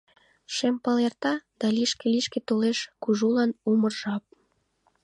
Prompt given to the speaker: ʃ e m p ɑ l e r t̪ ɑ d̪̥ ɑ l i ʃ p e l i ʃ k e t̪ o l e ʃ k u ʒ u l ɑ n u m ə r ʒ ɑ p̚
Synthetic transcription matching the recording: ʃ e m p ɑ l e r t̪ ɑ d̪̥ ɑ l i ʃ k e l i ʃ k e t̪ o l e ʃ k u ʒ u l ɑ n u m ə r ʒ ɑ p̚

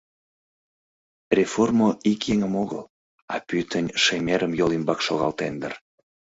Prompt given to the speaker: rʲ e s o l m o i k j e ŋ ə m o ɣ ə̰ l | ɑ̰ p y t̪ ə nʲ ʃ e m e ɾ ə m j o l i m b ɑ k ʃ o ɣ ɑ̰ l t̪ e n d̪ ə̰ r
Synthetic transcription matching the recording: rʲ e f o r m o i k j e ŋ ə m o ɣ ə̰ l | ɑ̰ p y t̪ ə nʲ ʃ e m e ɾ ə m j o l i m b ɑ k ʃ o ɣ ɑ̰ l t̪ e n d̪ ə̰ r

